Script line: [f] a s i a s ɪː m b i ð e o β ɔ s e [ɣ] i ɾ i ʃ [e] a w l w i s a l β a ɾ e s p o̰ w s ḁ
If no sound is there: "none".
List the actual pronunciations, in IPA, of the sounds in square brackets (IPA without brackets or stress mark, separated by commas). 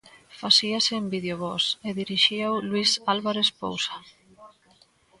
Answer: f, ð, i